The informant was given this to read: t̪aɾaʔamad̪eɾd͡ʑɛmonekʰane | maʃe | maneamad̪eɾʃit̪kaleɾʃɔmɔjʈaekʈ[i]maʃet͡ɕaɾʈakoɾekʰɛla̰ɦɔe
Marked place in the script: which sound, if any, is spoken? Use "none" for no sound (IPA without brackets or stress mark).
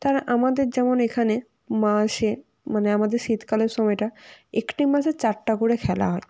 i